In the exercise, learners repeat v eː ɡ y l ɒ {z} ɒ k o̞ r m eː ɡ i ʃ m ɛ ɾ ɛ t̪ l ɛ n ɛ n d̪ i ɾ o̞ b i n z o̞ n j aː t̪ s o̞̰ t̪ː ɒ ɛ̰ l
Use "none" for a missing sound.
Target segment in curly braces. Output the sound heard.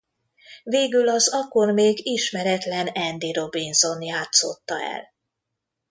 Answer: z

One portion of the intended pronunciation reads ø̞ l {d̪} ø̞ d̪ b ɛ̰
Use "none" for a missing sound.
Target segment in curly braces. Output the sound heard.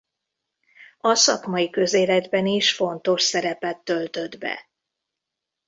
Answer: t̪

